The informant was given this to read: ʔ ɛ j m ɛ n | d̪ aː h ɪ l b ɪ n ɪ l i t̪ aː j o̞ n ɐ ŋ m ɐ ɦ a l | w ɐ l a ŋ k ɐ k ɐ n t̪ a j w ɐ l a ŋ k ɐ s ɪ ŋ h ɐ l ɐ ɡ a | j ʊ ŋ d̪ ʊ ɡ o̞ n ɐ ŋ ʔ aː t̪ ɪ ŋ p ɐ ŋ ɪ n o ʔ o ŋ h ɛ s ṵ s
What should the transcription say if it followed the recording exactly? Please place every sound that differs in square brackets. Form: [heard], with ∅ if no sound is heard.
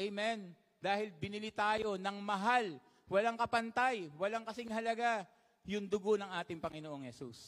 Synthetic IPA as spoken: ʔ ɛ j m ɛ n | d̪ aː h ɪ l b ɪ n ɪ l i t̪ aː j o̞ n ɐ ŋ m ɐ ɦ a l | w ɐ l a ŋ k ɐ [p] ɐ n t̪ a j w ɐ l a ŋ k ɐ s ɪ ŋ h ɐ l ɐ ɡ a | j ʊ ŋ d̪ ʊ ɡ o̞ n ɐ ŋ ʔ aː t̪ ɪ ŋ p ɐ ŋ ɪ n o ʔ o ŋ h ɛ s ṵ s